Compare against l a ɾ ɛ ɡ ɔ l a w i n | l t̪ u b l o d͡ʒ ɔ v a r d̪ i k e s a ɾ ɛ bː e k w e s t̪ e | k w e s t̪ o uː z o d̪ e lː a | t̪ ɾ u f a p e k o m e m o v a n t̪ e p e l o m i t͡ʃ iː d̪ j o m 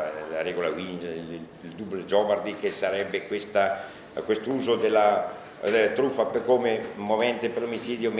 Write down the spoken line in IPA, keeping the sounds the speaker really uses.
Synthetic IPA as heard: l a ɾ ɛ ɡ o l a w i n | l d̪ u b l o d͡ʒ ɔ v a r d̪ i k e s a ɾ ɛ bː e k w e s t̪ a | k w e s t̪ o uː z o d̪ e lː a | t̪ ɾ u f a p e k o m e m o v ɛ n t̪ e p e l o m i t͡ʃ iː d̪ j o m

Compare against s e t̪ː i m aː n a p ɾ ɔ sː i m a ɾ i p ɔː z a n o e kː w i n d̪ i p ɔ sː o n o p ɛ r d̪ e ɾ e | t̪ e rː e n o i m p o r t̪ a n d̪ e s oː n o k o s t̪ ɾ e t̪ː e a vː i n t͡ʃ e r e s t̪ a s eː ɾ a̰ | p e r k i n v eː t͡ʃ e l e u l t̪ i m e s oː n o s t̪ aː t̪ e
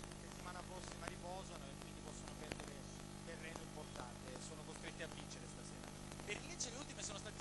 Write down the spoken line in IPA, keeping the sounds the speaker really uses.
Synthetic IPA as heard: s e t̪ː i m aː n a p ɾ ɔ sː i m a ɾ i p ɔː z a n o e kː w i n d̪ i p ɔ sː o n o p ɛ r d̪ e ɾ e | t̪ e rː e n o i m p o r t̪ a n t̪ e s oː n o k o s t̪ ɾ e t̪ː e a vː i n t͡ʃ e ɾ e s t̪ a s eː ɾ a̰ | p e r k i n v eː t͡ʃ e l e u l t̪ i m e s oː n o s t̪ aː t̪ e

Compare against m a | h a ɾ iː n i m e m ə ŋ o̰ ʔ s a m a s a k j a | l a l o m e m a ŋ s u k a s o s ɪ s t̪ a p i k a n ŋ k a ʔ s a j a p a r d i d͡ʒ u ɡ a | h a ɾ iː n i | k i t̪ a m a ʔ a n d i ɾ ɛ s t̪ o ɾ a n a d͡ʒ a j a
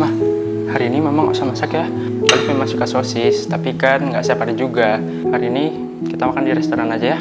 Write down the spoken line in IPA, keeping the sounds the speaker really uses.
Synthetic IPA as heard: m a | h a ɾ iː n i m e m a ŋ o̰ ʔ s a m a s a k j a | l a l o m e m a ŋ s u k a s o s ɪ s t̪ a p i k a n ŋ ɡ a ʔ s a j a p a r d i d͡ʒ u ɡ a | h a ɾ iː n i | k i t̪ a m a k a n d i ɾ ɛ s t̪ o ɾ a n a d͡ʒ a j a

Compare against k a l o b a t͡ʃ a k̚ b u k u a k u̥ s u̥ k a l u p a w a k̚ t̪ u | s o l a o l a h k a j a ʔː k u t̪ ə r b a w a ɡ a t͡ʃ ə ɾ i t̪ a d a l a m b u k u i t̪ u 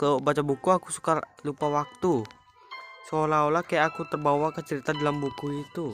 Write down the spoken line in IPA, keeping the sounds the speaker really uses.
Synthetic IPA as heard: k a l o b a t͡ʃ a b u k u a k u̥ s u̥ k a l u p a w a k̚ t̪ u | s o l a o l a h k a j a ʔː k u t̪ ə r b a w a k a t͡ʃ ə ɾ i t̪ a d a l a m b u k u i t̪ u

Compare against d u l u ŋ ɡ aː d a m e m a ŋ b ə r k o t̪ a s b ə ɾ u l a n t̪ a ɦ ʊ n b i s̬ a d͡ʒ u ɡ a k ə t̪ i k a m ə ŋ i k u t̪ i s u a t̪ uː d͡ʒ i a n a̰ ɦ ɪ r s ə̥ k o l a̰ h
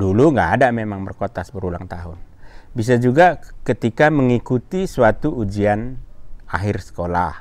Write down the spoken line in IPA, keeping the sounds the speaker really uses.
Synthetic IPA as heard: d u l u ŋ ɡ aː d a m e m a ŋ b ə r k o t̪ a s b ə ɾ u l a ŋ t̪ a ɦ ʊ n b i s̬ a d͡ʒ u ɡ a k ə t̪ i k a m ə ŋ i k u t̪ i s u a t̪ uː d͡ʒ i a n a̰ ɦ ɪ r s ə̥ k o l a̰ h

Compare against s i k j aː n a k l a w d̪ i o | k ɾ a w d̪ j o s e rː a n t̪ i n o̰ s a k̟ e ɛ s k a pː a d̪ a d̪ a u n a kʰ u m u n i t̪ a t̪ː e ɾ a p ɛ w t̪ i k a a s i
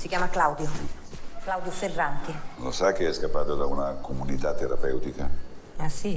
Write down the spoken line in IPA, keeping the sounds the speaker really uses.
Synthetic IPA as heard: s i k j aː m a k l a w d̪ j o | k l a w d̪ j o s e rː a n t̪ i n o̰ s a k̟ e ɛ s k a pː a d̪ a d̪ a u n a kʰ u m u n i t̪ a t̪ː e ɾ a p ɛ w t̪ i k a a s i

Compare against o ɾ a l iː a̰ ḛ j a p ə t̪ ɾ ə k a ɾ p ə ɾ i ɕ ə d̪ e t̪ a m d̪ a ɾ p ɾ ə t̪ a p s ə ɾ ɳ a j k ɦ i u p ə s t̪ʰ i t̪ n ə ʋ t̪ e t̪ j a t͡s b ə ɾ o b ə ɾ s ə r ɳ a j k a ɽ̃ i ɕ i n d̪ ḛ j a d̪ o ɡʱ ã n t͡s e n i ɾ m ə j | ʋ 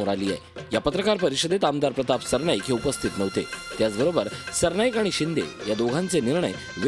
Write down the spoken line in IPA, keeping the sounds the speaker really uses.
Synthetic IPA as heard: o ɾ a l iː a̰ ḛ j a p ə t̪ ɾ ə k a ɾ p ə ɾ i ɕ ə d̪ e t̪ a m d̪ a ɾ p ɾ ə t̪ a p s ə ɾ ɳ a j k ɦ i u p ə s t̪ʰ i t̪ n ə ʋ t̪ e t̪ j a t͡s b ə ɾ o b ə ɾ s ə ɾ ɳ a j k a ɽ̃ i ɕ i n d̪ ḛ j a d̪ o ɡʱ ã n t͡s e n i ɾ ɳ ə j | ʋ

